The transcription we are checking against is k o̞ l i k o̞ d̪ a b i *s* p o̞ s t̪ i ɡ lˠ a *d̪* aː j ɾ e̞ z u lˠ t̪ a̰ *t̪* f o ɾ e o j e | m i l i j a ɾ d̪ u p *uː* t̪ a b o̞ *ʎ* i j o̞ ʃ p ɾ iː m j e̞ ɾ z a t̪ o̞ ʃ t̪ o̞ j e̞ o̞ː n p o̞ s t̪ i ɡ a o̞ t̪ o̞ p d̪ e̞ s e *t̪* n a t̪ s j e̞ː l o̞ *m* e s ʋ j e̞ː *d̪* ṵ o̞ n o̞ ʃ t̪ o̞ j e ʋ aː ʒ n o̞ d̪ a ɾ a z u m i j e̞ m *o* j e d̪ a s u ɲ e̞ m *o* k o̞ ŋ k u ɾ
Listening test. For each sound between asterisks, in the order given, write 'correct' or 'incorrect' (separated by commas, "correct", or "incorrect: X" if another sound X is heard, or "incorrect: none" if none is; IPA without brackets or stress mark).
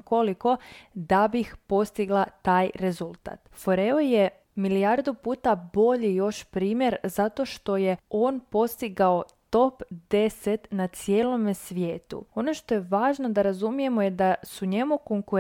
incorrect: x, incorrect: t̪, correct, correct, correct, correct, correct, incorrect: t̪, correct, incorrect: u